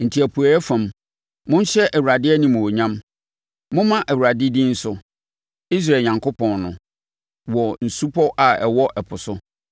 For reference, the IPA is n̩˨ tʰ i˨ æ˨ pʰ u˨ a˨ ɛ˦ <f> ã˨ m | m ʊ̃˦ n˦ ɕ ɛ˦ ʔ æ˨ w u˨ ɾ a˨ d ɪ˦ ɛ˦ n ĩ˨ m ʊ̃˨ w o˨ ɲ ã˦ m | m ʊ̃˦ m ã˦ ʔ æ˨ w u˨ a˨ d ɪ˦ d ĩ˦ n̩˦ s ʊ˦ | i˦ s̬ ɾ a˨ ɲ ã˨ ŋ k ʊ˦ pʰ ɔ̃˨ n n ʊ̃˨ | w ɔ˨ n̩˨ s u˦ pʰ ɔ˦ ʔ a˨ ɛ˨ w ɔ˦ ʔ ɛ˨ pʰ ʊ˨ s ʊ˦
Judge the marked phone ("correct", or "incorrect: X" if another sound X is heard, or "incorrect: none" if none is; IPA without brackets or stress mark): correct